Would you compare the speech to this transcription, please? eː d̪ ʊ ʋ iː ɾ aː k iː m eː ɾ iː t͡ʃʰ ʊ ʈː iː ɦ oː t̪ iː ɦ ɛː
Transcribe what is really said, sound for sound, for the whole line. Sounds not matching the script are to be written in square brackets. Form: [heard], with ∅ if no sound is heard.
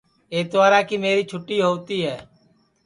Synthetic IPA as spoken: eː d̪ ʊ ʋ [aː] ɾ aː k iː m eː ɾ iː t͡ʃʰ ʊ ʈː iː ɦ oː t̪ iː ɦ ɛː